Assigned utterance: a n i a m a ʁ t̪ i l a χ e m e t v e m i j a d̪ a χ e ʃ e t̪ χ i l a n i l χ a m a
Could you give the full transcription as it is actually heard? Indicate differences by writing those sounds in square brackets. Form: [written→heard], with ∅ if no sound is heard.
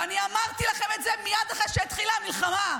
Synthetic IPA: a n i a m a ʁ t̪ i l a χ e m e t [v→z] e m i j a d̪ a χ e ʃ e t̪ χ i l a [n→m] i l χ a m a